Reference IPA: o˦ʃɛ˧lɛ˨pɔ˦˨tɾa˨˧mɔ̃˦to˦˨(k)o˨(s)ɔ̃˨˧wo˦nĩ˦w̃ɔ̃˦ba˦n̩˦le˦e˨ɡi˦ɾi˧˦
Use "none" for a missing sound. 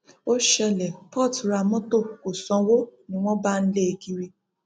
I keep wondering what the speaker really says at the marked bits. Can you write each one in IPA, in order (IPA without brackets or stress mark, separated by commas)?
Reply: k, s